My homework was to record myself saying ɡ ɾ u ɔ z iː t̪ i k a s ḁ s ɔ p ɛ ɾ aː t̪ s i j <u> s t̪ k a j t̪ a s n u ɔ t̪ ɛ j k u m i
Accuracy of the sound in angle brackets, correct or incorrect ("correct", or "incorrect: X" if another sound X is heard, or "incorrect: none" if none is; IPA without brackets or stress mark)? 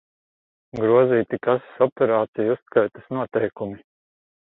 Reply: correct